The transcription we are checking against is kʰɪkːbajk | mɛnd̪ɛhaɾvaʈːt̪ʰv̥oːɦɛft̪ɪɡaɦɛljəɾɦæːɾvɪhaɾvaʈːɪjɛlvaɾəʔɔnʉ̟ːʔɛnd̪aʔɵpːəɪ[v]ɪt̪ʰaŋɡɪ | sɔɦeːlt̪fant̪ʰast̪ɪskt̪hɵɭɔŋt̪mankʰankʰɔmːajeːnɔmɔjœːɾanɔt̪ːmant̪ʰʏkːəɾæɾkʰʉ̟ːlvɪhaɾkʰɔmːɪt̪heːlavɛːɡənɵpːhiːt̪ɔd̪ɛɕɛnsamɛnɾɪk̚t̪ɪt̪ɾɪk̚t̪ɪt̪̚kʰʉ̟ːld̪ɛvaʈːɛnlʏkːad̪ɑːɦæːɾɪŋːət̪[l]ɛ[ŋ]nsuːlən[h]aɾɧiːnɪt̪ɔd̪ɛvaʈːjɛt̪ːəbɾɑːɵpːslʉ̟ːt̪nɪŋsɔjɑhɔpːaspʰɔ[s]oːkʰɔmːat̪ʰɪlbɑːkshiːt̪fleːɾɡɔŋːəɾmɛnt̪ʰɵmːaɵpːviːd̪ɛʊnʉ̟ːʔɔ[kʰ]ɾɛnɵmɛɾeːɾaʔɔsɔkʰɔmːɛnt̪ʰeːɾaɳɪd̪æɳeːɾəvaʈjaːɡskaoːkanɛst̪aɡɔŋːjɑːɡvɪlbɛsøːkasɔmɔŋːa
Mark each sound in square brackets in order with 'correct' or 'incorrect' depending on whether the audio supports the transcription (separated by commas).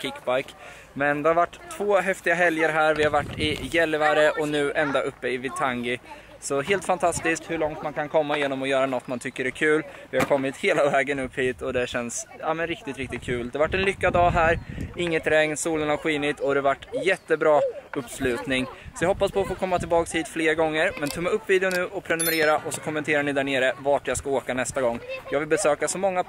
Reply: correct, incorrect, correct, correct, incorrect, incorrect